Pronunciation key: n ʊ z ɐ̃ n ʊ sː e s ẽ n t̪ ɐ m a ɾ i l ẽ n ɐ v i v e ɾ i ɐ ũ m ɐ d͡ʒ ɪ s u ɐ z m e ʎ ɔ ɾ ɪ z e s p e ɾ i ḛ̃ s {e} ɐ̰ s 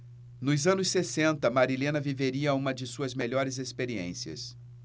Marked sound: incorrect: i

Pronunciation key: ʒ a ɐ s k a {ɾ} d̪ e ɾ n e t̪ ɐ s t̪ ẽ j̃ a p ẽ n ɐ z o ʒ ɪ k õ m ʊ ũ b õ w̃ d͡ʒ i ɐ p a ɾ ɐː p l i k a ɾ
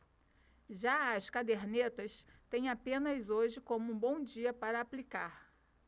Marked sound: incorrect: none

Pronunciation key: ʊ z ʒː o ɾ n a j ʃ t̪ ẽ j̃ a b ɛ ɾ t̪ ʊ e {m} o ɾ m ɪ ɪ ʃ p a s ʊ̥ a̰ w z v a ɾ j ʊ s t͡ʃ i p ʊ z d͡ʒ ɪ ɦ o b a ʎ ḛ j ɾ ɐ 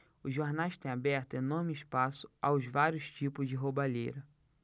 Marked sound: incorrect: n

